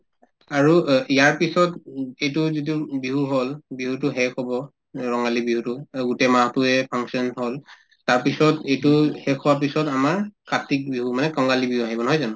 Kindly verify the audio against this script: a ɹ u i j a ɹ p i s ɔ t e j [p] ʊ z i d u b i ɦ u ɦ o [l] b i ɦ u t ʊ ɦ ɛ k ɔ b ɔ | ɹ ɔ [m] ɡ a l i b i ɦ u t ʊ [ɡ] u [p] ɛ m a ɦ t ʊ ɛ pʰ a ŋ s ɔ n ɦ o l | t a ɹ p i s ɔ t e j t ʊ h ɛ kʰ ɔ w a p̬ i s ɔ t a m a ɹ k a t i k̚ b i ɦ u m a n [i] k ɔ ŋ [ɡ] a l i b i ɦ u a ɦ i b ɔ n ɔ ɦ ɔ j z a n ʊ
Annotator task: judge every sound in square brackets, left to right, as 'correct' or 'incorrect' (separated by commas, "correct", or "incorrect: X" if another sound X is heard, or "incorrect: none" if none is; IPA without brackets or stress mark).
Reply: incorrect: t, correct, incorrect: ŋ, correct, incorrect: t, incorrect: ɛ, correct